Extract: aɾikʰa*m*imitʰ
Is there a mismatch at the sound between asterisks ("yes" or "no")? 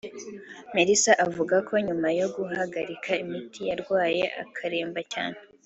yes